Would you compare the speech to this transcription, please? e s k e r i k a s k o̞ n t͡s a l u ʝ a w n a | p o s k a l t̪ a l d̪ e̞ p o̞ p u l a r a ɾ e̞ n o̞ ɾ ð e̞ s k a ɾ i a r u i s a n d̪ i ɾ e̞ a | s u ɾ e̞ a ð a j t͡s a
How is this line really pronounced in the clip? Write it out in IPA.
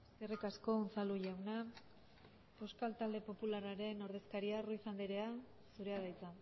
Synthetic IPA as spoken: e s k e r i k a s k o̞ n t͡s a l u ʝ a w n a | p o s k a l t̪ a l d̪ e̞ p o̞ p u l a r a ɾ e̞ n o̞ ɾ ð e̞ s k a ɾ i a r u i s a n d̪ i ɾ e̞ a | s u ɾ e̞ a ð a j t͡s a

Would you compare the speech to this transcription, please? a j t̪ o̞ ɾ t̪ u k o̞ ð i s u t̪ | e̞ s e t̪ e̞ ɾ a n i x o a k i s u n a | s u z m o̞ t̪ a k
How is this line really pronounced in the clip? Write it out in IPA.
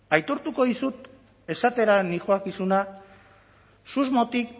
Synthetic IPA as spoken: a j t̪ o̞ ɾ t̪ u k o̞ ð i s u t̪ | e̞ s a t̪ e̞ ɾ a n i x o a k i s u n a | s u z m o̞ t̪ i k

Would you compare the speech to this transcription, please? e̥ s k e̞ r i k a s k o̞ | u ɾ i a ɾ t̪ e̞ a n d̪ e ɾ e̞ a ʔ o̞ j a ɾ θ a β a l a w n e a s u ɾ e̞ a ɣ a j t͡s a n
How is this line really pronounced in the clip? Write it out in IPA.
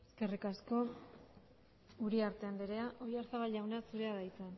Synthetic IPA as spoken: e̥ s k e̞ r i k a s k o̞ | u ɾ i a ɾ t̪ e̞ a n d̪ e ɾ e̞ a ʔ o̞ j a ɾ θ a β a ʎ a w n e a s u ɾ e̞ a ð a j t͡s e n

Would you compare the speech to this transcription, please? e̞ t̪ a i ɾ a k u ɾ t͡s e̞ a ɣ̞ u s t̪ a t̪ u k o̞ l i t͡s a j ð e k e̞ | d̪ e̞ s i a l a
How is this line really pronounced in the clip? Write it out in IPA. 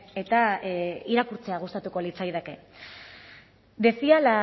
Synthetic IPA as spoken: e̞ t̪ a i ɾ a k u ɾ t͡s e̞ a ɣ̞ u s t̪ a t̪ u k o̞ l i t͡s a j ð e k e̞ | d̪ e̞ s i a l a

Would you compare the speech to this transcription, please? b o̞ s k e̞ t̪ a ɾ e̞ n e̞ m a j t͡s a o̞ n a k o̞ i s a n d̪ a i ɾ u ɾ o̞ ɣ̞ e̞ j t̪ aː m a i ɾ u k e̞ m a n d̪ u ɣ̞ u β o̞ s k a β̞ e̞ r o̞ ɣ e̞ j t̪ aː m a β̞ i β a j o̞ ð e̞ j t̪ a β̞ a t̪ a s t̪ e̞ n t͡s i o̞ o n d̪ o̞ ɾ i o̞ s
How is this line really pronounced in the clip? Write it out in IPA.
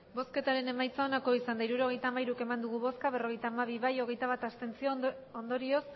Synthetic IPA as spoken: b o̞ s k e̞ t̪ a ɾ e̞ n e̞ m a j t͡s a o̞ n a k o̞ i s a n d̪ a i ɾ u ɾ o̞ ɣ̞ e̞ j t̪ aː m a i ɾ u k e̞ m a n d̪ u ɣ̞ u β o̞ s k a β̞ e̞ r o̞ ɣ e̞ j t̪ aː m a β̞ i β a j o̞ ɣ e̞ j t̪ a β̞ a t̪ a s t̪ e̞ n t͡s i o̞ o n d̪ o̞ ɾ i o̞ s

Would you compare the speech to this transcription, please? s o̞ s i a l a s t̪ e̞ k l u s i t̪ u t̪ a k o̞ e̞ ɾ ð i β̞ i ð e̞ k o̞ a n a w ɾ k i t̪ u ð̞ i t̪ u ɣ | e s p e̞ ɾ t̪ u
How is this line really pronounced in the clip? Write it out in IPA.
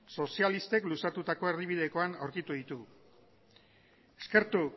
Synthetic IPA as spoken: s o̞ s i a l i s t̪ e̞ k l u s a t̪ u t̪ a k o̞ e̞ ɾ ð i β̞ i ð e̞ k o̞ a n a w ɾ k i t̪ u ð̞ i t̪ u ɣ | e s k e̞ ɾ t̪ u

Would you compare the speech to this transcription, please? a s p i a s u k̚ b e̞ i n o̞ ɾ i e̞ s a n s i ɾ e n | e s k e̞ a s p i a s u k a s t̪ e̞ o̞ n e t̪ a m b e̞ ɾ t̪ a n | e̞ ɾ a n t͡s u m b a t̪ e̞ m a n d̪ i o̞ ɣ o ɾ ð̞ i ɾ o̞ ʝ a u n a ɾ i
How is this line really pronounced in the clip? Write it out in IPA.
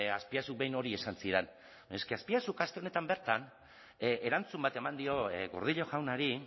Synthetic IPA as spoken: a s p i a s u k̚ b e̞ j n o̞ ɾ i e̞ s a n s i ɾ e n | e s k e̞ a s p i a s u k a s t̪ e̞ o̞ n e t̪ a m b e̞ ɾ t̪ a n | e̞ ɾ a n t͡s u m b a t̪ e̞ m a n d̪ i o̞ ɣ o ɾ ð̞ i ʎ o̞ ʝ a w n a ɾ i

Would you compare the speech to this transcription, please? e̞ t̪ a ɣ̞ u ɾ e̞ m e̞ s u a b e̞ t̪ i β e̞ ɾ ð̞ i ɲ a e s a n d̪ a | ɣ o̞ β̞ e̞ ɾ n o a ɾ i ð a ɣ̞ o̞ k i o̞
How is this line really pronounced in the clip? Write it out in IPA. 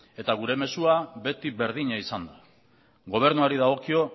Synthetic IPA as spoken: e̞ t̪ a ɣ̞ u ɾ e̞ m e̞ s u a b e̞ t̪ i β e̞ ɾ ð̞ i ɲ a i s a n d̪ a | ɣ o̞ β̞ e̞ ɾ n u a ɾ i ð a ɣ̞ o̞ k i o̞

